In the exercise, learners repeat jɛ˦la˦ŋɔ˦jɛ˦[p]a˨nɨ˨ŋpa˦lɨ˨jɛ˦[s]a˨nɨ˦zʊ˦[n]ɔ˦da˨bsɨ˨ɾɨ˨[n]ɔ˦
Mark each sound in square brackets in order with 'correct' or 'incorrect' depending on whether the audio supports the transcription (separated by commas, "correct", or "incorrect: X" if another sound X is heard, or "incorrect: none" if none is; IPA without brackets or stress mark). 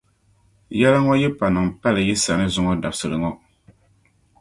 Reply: correct, correct, incorrect: ŋ, incorrect: ŋ